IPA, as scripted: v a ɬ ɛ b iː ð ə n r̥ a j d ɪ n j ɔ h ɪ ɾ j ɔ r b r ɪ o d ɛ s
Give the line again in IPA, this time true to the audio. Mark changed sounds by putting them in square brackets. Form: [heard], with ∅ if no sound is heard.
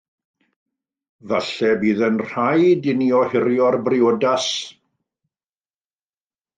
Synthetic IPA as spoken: v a ɬ ɛ b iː ð ə n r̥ a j d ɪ n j ɔ h ɪ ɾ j ɔ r b r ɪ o d [a] s

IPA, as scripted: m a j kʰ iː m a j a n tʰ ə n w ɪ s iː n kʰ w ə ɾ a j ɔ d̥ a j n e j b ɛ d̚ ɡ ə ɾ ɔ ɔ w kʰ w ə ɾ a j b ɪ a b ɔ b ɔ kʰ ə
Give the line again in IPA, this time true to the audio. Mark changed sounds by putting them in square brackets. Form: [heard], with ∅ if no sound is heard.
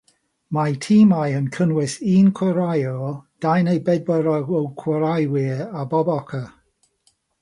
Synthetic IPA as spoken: m a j [tʰ] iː m a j [ə] n [kʰ] ə n w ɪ s iː n kʰ w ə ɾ a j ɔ d̥ a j n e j b ɛ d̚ [b] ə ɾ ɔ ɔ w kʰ w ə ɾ a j [w] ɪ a b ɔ b ɔ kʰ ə

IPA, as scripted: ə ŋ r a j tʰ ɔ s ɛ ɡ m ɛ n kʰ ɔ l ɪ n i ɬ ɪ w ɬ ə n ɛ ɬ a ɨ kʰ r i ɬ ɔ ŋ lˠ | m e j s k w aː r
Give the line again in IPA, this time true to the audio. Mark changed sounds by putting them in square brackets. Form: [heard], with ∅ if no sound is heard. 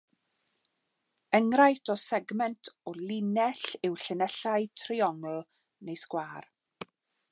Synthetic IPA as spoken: ə ŋ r a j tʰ ɔ s ɛ ɡ m ɛ n [tʰ] ɔ l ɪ n [ɛ] ɬ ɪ w ɬ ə n ɛ ɬ a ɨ [tʰ] r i [∅] ɔ ŋ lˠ | [n] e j s k w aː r

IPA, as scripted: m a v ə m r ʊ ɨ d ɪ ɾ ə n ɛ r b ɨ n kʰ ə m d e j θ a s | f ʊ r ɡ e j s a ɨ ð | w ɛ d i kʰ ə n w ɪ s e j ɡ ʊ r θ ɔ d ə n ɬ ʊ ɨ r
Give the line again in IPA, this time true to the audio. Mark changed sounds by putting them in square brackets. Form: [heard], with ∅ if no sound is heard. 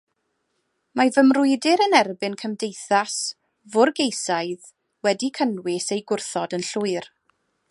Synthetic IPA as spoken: m a v ə m r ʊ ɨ d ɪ ɾ ə n ɛ r b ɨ n kʰ ə m d e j θ a s | [v] ʊ r ɡ e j s a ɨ ð | w ɛ d i kʰ ə n w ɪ s e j ɡ ʊ r θ ɔ d ə n ɬ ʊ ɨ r

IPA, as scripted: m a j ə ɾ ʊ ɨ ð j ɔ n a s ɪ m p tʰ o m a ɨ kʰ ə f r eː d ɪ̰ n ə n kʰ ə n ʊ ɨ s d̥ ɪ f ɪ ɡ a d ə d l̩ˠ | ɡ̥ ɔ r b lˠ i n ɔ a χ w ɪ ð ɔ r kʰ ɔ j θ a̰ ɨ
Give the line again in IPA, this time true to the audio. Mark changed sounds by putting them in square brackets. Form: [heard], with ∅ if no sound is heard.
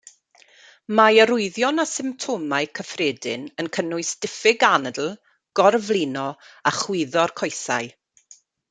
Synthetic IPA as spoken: m a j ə ɾ ʊ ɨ ð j ɔ n a s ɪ m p tʰ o m a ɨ kʰ ə f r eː d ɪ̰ n ə n kʰ ə n ʊ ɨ s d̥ ɪ f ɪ ɡ a [n] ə d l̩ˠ | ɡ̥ ɔ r [v] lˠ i n ɔ a χ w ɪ ð ɔ r kʰ ɔ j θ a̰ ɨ

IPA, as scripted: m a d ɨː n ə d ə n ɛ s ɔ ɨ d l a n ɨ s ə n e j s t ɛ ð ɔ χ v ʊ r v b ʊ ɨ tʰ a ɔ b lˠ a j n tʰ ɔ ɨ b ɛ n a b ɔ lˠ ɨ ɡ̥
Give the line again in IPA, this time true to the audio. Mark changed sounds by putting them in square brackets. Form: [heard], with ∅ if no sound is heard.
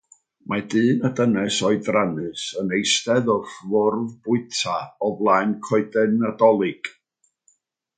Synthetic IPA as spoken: m a d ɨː n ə d ə n ɛ s ɔ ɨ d [r] a n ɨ s ə n e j s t ɛ ð ɔ [f] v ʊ r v b ʊ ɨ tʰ a ɔ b lˠ a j n [kʰ] ɔ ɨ [d] ɛ n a [d] ɔ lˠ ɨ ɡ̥

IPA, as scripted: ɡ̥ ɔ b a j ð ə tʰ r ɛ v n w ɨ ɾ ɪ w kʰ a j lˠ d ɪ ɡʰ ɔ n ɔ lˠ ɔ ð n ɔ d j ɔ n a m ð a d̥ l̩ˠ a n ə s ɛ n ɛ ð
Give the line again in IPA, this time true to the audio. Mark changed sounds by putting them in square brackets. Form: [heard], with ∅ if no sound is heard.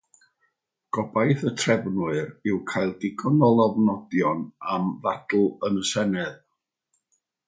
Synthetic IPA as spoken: ɡ̥ ɔ b a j [θ] ə tʰ r ɛ v n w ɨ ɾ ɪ w kʰ a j lˠ d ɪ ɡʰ ɔ n ɔ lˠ ɔ [v] n ɔ d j ɔ n a m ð a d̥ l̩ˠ [ə] n ə s ɛ n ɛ ð

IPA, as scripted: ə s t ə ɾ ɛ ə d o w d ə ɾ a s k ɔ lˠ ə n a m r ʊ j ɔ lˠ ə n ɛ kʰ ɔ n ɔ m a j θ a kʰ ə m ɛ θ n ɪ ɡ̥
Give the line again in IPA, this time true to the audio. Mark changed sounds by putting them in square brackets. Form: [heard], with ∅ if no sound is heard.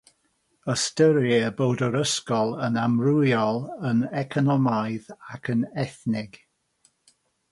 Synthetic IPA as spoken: ə s t ə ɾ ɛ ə [b] o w d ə ɾ [ə] s k ɔ lˠ ə n a m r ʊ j ɔ lˠ ə n ɛ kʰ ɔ n ɔ m a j [ð] a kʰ ə [n] ɛ θ n ɪ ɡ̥

